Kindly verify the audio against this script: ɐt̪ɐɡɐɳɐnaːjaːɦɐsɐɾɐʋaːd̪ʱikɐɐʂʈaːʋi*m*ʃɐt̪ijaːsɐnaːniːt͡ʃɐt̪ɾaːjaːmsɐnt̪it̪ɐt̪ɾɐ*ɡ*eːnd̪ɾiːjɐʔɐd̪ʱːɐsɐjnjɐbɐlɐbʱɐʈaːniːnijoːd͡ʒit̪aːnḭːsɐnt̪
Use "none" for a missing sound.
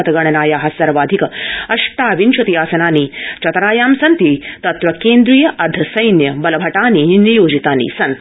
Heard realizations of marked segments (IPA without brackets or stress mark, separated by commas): n, k